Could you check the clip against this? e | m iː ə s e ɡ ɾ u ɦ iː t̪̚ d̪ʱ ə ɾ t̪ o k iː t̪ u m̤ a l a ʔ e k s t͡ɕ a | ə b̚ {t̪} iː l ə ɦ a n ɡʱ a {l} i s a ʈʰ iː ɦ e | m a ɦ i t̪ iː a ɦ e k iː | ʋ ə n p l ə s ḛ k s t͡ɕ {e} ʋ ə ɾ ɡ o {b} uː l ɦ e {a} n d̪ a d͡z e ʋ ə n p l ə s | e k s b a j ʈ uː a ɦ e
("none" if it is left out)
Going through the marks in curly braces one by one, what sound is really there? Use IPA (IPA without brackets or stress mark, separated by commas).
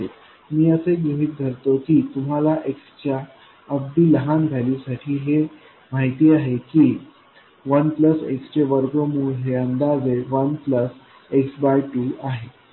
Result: d̪, l, e, m, ə